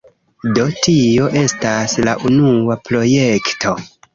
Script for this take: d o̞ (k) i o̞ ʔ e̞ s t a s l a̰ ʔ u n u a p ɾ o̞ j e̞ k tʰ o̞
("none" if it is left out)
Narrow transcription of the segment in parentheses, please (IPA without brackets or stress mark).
t